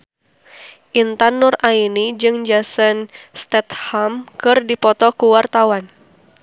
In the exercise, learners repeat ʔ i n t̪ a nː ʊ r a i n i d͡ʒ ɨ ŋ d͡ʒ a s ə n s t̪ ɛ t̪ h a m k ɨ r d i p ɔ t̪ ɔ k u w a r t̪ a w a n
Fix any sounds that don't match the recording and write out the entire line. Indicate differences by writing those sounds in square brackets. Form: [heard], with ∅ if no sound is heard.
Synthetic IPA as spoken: ʔ i n t̪ a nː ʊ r a i n i d͡ʒ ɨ ŋ d͡ʒ a s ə n s t̪ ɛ t̪ h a m k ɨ r d i p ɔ t̪ ɔ k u w a r t̪ a w a n